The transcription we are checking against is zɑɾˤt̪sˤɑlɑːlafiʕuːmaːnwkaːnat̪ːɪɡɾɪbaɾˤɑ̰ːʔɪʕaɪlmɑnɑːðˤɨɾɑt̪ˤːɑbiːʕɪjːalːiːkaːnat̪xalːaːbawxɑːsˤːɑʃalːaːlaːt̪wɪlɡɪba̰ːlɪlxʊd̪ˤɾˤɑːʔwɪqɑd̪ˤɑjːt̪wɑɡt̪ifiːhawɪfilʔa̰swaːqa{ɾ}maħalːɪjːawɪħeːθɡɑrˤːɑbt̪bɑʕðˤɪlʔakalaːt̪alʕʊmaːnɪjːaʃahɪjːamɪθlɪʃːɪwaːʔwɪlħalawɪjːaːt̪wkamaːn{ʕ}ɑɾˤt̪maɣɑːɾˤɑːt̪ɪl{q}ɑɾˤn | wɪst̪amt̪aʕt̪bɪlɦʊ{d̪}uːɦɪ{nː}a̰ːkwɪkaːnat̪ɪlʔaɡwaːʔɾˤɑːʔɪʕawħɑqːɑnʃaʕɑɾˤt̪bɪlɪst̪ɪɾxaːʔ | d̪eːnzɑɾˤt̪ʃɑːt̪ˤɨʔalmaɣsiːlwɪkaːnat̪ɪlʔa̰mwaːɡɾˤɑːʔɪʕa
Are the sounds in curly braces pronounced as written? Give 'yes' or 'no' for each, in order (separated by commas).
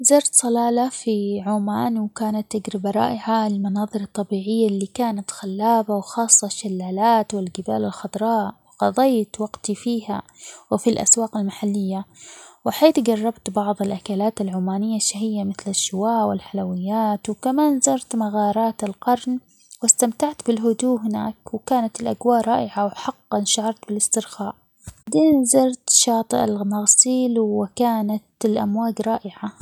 no, no, yes, yes, no